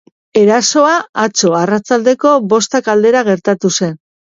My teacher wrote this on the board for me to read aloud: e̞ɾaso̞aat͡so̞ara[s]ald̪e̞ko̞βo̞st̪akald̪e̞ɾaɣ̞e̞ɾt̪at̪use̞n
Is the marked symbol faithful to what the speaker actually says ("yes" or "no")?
no